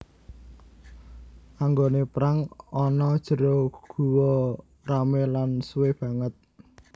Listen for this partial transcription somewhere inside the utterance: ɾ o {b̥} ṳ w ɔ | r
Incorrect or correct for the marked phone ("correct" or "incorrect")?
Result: incorrect